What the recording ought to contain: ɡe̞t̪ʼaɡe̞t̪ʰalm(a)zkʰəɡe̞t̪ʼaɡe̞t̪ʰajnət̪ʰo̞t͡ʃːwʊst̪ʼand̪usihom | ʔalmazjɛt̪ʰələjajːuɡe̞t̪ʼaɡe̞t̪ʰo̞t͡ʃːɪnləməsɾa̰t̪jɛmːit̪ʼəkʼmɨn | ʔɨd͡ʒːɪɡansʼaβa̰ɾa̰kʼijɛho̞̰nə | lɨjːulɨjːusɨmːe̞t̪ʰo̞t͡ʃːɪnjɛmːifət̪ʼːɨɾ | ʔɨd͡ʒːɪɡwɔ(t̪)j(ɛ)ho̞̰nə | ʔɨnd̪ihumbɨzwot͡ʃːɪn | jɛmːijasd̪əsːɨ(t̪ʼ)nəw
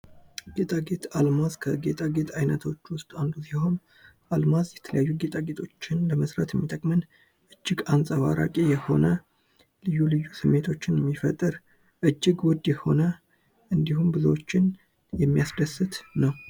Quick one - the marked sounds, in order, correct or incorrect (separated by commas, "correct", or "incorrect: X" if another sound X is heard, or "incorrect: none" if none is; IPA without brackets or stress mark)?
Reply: correct, incorrect: d̪, correct, incorrect: t̪